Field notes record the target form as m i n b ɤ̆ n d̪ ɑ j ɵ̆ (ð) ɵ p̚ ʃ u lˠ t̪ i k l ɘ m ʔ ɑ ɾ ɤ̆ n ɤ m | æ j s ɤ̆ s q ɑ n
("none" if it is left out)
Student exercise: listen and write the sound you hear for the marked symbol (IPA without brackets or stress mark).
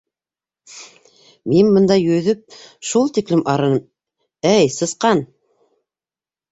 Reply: ð